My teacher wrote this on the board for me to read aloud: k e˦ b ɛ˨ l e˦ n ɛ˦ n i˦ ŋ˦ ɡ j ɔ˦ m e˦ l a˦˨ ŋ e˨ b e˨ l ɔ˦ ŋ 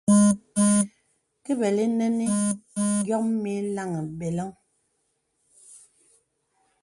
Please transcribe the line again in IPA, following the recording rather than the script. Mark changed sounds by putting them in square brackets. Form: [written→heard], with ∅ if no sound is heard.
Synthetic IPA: k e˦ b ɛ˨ l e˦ n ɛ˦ n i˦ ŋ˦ ɡ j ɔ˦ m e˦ l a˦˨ ŋ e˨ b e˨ l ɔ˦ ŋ